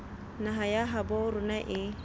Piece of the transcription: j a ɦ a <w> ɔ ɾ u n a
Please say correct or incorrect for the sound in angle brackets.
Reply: incorrect: b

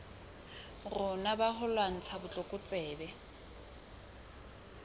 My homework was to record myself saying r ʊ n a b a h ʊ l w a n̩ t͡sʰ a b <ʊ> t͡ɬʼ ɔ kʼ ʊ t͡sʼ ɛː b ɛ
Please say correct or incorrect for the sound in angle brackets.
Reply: correct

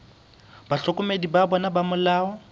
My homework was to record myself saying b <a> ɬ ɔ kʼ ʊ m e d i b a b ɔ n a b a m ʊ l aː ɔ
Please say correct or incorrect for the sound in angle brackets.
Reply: correct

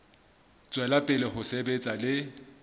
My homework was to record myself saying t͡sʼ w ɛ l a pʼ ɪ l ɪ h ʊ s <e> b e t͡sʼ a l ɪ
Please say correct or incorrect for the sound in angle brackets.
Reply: correct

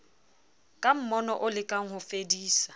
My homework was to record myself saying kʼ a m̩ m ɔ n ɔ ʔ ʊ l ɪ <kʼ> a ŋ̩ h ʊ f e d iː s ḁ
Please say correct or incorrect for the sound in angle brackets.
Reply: correct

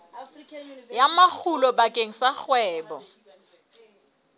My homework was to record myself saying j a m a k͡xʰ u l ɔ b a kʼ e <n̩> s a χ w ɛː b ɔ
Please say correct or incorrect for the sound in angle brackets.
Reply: incorrect: ŋ̩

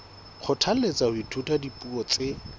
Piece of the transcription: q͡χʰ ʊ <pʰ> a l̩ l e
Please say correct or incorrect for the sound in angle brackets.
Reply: incorrect: tʰ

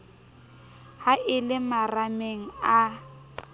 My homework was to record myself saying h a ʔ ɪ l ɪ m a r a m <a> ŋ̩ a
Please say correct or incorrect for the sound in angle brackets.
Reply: incorrect: e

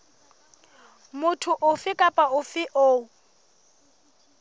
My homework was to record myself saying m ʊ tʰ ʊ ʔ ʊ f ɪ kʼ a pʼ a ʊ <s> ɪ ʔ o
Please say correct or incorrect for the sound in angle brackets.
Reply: incorrect: f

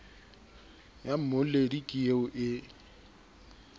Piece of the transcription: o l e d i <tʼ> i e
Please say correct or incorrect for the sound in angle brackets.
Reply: incorrect: kʼ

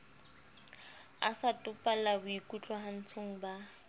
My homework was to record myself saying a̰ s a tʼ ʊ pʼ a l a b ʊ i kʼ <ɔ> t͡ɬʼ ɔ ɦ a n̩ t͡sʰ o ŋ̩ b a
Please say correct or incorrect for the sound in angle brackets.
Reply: incorrect: u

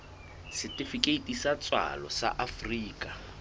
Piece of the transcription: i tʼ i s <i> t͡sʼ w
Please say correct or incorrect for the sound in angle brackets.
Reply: incorrect: a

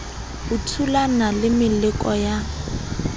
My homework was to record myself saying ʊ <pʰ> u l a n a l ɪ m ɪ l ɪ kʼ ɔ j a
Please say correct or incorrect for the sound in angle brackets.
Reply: incorrect: tʰ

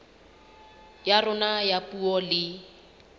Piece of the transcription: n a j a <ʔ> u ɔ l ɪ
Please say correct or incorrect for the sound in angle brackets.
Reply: incorrect: p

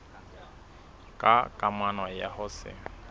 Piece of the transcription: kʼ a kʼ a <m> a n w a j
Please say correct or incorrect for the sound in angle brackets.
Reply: correct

